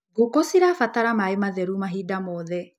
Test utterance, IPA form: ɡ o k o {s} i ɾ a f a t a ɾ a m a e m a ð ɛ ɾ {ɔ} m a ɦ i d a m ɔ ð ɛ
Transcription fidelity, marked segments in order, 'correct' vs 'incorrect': correct, incorrect

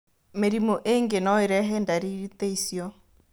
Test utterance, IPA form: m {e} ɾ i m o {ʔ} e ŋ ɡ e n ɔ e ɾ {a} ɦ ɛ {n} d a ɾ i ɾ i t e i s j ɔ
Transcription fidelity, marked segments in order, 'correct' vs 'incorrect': correct, correct, incorrect, correct

